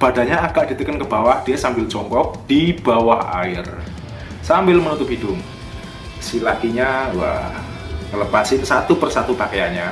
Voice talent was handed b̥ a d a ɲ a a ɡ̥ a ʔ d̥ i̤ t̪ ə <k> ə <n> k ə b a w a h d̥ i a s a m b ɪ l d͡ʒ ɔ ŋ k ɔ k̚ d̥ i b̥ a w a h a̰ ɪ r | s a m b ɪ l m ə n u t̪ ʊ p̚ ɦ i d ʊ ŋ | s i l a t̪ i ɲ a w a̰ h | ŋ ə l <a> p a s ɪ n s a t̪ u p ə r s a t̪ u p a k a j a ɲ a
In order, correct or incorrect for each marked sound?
correct, correct, incorrect: ə

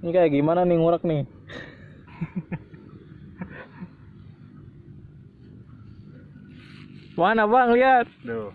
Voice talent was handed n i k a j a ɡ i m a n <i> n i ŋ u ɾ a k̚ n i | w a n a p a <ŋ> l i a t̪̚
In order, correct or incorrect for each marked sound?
incorrect: a, correct

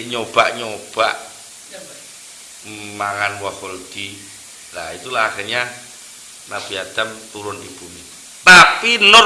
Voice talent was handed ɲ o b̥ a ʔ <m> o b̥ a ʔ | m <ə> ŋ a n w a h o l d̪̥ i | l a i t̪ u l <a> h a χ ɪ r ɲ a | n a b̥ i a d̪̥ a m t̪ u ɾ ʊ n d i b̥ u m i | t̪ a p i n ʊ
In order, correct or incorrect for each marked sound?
incorrect: ɲ, incorrect: a, correct

